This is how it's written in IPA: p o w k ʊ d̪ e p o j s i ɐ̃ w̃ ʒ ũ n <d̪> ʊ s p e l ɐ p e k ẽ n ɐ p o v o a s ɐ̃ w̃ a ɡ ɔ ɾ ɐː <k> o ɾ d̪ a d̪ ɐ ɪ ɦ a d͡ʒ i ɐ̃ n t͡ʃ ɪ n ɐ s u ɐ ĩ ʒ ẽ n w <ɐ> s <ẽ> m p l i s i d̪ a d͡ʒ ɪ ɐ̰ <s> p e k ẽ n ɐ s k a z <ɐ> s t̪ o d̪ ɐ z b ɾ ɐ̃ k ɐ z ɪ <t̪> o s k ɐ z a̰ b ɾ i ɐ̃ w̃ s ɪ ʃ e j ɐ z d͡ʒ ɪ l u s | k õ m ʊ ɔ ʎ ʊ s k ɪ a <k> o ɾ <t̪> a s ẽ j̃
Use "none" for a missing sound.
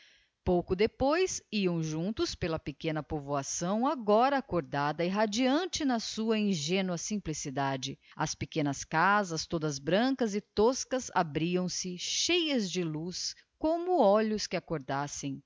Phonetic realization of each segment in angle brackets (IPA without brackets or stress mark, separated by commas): t̪, k, ɐ, ĩ, s, ɐ, t̪, k, d̪